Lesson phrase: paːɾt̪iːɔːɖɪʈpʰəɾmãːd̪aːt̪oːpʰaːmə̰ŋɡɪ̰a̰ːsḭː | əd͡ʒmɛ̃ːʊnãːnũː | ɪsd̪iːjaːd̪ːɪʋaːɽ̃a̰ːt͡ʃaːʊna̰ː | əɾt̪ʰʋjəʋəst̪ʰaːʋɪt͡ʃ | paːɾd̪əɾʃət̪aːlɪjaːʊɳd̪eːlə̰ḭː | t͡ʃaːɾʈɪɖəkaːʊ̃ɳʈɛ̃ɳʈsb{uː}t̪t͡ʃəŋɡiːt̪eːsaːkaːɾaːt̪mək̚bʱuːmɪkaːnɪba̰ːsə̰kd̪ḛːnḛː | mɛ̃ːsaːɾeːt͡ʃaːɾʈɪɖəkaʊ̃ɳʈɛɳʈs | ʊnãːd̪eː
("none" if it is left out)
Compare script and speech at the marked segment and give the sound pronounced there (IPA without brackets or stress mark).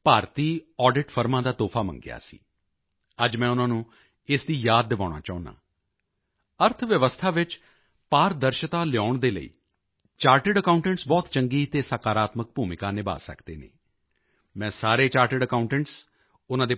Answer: ɔː